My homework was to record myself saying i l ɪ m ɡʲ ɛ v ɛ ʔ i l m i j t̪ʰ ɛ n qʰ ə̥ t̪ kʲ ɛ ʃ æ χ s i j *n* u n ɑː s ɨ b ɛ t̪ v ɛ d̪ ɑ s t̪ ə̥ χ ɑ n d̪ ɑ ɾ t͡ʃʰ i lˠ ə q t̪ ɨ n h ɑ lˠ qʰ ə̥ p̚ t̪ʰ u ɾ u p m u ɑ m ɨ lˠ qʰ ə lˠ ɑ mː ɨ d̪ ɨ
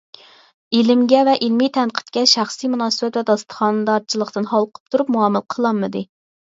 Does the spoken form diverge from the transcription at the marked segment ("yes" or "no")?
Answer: yes